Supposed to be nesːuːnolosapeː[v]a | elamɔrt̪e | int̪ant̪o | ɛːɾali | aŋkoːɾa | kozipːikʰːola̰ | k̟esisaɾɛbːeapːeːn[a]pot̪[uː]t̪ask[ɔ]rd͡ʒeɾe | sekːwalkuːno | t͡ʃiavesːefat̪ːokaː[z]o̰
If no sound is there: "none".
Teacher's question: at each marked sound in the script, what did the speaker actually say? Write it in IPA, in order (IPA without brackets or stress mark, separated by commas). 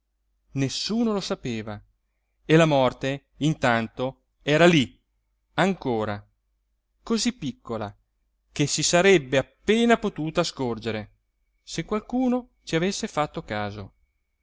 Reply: v, a, uː, o, z